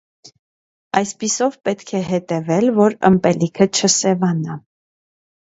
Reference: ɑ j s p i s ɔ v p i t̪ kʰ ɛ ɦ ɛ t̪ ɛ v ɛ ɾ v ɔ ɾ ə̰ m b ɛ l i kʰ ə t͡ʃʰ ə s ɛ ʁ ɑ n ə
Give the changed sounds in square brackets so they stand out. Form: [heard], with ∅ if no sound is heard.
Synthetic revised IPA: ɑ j s p i s ɔ v p [ɛ] t̪ kʰ ɛ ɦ ɛ t̪ ɛ v ɛ [l] v ɔ ɾ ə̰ m [p] ɛ l i kʰ ə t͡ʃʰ ə s ɛ [v] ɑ n [ɑ]